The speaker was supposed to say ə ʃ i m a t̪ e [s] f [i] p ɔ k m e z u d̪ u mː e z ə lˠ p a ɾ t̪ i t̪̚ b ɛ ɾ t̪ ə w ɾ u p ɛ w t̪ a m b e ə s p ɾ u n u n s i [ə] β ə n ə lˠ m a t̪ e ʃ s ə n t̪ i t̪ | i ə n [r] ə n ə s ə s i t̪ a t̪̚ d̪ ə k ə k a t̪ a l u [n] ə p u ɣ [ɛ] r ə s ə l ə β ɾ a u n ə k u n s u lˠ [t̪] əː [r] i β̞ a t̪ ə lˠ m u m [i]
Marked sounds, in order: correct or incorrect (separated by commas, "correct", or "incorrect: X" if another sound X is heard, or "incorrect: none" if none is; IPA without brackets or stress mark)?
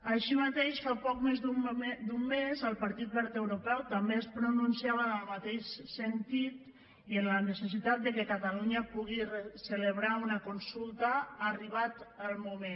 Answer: incorrect: ʃ, incorrect: a, incorrect: a, incorrect: l, incorrect: ɲ, incorrect: i, correct, correct, incorrect: e